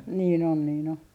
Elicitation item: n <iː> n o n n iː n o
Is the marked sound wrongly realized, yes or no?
no